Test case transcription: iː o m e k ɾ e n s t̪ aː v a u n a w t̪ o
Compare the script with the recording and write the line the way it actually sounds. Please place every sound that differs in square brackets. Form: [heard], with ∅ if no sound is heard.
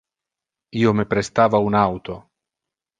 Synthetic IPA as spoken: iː o m e [p] ɾ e [∅] s t̪ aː v a u n a w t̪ o